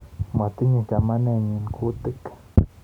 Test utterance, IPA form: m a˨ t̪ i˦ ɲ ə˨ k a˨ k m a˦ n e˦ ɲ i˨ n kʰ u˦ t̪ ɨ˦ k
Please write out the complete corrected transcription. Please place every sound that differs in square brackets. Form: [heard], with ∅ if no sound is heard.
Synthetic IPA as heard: m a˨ t̪ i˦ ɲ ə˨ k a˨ [∅] m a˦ n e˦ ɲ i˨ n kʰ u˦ t̪ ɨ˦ k